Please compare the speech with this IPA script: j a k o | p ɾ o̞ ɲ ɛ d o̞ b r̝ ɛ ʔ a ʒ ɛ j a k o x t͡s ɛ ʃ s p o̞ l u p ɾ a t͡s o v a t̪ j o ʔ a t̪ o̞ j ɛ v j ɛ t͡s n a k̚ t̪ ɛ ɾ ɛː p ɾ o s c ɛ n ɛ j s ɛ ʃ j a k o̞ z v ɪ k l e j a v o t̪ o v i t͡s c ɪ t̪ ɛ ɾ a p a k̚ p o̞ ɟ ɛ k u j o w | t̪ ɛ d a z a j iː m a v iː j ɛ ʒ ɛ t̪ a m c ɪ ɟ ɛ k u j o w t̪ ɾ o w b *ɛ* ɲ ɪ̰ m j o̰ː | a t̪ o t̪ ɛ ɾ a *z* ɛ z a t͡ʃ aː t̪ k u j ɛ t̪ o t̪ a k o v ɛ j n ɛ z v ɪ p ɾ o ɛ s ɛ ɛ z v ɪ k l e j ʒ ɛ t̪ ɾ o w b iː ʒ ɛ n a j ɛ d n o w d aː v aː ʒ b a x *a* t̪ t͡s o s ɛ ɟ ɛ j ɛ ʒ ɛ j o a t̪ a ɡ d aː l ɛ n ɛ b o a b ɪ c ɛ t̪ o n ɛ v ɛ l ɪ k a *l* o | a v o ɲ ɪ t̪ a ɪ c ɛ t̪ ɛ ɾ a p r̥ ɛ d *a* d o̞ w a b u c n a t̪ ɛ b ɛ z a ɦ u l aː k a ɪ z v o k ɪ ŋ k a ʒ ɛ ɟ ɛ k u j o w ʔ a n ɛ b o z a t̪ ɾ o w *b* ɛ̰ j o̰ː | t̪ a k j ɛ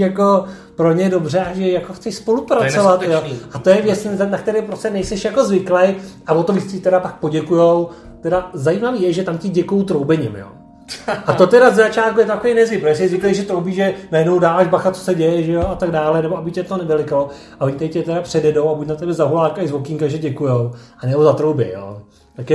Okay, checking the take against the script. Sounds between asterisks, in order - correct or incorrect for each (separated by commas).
correct, correct, correct, correct, incorrect, correct